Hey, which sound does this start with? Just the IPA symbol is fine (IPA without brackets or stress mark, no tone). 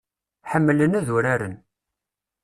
ħ